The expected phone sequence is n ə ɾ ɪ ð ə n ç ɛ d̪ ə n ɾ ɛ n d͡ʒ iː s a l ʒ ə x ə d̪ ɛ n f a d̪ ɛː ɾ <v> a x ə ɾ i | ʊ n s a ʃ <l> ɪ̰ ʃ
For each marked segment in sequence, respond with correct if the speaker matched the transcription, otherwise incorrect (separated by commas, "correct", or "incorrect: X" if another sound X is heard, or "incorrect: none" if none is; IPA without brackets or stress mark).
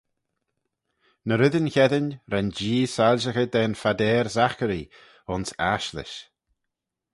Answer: incorrect: z, correct